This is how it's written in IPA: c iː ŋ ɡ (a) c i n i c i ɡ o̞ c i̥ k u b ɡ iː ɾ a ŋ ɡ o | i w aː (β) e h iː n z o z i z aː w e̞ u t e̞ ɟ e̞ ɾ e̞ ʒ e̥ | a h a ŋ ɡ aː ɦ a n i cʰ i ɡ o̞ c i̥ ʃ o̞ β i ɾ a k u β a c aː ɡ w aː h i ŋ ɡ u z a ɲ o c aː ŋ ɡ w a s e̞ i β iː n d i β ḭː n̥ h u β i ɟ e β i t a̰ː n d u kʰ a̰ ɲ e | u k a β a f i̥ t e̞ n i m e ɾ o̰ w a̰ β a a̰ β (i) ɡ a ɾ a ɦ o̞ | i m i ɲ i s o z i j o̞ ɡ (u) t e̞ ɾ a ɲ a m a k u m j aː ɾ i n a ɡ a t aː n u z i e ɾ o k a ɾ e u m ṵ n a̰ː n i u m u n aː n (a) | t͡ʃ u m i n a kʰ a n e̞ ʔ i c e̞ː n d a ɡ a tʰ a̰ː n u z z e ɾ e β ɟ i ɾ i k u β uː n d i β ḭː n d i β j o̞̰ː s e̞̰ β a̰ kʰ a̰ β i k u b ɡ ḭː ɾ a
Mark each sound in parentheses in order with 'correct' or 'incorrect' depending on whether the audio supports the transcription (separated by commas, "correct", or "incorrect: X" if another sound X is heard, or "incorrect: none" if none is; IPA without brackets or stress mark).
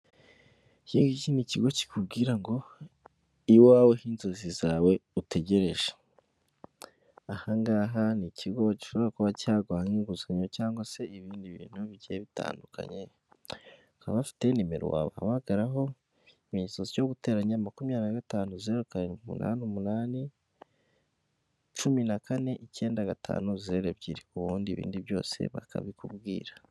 incorrect: i, incorrect: w, incorrect: a, correct, incorrect: i